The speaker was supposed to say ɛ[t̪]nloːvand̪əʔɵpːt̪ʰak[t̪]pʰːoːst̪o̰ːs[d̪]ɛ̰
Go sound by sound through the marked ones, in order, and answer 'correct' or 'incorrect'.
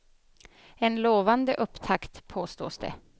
incorrect, correct, correct

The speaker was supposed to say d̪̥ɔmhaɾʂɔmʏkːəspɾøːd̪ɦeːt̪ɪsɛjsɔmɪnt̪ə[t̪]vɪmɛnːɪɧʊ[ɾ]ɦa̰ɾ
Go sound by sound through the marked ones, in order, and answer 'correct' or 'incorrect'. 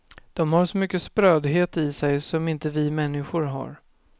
incorrect, correct

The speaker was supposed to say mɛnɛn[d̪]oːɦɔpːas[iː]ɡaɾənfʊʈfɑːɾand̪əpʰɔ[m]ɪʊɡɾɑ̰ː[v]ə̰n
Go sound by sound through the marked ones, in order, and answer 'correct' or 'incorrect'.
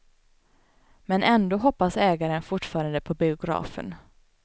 correct, incorrect, incorrect, incorrect

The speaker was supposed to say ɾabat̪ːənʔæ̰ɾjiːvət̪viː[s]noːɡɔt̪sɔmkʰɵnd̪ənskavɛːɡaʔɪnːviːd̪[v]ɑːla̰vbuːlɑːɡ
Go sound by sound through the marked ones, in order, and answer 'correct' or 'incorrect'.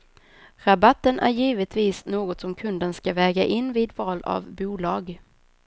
correct, correct

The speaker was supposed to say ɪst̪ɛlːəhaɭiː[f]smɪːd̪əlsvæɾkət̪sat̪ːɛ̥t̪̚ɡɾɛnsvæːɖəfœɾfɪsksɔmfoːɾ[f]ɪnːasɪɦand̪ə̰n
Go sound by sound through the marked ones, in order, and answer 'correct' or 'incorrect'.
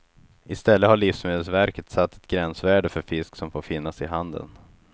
correct, correct

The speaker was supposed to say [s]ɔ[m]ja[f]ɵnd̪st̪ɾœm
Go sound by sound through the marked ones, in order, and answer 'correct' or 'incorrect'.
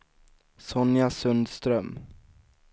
correct, incorrect, incorrect

